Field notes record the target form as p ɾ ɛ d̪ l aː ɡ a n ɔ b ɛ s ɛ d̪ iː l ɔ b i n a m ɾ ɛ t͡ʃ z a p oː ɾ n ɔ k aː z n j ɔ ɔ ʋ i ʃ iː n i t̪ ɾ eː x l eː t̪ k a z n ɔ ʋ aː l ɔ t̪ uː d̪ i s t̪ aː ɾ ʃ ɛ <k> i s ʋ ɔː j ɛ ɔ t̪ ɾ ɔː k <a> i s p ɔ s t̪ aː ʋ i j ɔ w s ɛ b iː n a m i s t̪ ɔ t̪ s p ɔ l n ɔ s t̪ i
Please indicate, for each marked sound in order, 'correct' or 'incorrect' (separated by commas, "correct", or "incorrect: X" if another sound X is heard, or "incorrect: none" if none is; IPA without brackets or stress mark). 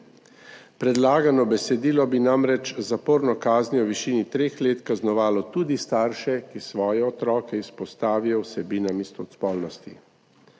correct, incorrect: ɛ